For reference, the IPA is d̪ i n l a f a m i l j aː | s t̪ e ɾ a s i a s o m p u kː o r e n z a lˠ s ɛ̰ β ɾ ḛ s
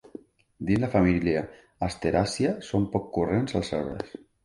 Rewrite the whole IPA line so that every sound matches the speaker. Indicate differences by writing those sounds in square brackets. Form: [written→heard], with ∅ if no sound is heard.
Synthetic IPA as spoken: d̪ i n l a f a m i l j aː | s t̪ e ɾ a s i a s o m p [u→ɔ] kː [o→u] r e n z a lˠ s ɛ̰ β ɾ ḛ s